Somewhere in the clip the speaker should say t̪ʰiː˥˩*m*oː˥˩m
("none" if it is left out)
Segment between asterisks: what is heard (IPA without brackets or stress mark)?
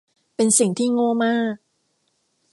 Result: ŋ